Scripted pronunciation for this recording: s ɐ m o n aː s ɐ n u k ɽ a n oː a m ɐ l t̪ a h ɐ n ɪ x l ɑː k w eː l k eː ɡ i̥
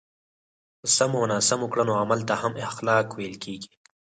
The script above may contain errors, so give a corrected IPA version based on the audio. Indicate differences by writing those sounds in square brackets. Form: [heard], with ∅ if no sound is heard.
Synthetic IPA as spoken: s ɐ m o n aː s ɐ [m] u k ɽ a n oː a m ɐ l t̪ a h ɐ [m] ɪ x l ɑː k w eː l k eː ɡ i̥

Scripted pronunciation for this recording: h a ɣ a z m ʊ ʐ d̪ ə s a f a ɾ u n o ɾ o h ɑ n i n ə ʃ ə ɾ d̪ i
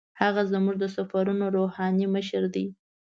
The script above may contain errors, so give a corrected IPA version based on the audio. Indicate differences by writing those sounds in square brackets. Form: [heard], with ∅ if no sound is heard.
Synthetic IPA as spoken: h a ɣ a z m [u] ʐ d̪ ə s a f a ɾ u n o ɾ o h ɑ n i [m] ə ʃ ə ɾ d̪ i

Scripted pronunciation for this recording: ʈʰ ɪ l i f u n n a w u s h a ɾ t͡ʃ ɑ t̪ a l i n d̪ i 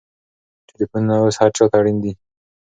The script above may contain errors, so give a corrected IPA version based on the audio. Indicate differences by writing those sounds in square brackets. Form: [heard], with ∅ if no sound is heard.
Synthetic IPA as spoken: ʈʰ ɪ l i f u n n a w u s h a ɾ t͡ʃ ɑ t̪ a [ɽ] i n d̪ i

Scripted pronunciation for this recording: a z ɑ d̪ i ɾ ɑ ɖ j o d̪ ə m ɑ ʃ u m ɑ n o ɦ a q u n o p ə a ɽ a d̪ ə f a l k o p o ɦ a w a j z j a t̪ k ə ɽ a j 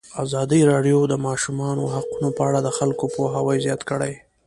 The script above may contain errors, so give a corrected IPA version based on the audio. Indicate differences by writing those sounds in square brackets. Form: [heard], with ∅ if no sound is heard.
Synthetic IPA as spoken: a z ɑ d̪ i ɾ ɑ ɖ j o d̪ ə m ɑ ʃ u m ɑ n o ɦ a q u n o p ə a ɽ a d̪ ə [x] a l k o p o ɦ a w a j z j [ɑ] t̪ k ə ɽ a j

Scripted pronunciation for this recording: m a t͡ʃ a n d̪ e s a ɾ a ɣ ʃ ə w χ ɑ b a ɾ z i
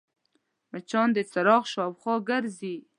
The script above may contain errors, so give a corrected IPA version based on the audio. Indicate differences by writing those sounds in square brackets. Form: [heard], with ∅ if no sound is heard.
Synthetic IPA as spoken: m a t͡ʃ [ɑ] n d̪ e [t͡s] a ɾ [ɑ] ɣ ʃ [ɑ] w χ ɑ [ɡ] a ɾ z i

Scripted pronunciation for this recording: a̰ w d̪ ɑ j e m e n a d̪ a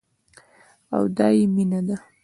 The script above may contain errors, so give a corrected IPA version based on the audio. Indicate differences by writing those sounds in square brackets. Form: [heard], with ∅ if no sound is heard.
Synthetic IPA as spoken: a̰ w d̪ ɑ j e m [i] n a d̪ a

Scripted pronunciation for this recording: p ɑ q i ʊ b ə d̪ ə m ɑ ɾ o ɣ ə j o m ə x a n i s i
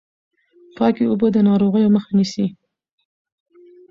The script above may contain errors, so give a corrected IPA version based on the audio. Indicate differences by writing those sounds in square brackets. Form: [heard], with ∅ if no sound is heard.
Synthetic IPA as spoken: p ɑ [k] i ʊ b ə d̪ ə [n] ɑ ɾ o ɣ ə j o m ə x a n i s i

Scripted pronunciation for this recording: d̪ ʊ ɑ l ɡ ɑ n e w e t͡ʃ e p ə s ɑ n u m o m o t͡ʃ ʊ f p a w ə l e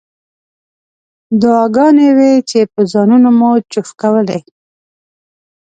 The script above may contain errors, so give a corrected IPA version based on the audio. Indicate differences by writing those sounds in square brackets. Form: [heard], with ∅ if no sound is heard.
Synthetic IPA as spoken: d̪ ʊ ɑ [∅] ɡ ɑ n e w e t͡ʃ e p ə [z] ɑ n u [n] o m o t͡ʃ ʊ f [k] a w ə l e

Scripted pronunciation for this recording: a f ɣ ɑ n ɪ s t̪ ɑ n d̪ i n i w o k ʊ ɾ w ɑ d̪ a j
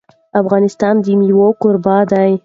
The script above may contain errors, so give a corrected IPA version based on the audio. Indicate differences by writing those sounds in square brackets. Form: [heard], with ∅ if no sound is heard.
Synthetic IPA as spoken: a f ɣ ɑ n ɪ s t̪ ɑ n d̪ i [m] i w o k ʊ ɾ [b] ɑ d̪ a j

